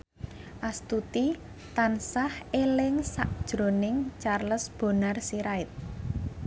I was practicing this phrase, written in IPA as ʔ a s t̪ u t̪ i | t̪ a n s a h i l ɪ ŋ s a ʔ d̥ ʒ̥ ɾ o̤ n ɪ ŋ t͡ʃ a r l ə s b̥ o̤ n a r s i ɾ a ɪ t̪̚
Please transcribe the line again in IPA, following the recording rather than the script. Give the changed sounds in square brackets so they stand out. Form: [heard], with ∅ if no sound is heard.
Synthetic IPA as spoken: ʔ a s t̪ u t̪ i | t̪ a n s a h [e] l ɪ ŋ s a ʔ d̥ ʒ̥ ɾ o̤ n ɪ ŋ t͡ʃ a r l ə s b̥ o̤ n a r s i ɾ a ɪ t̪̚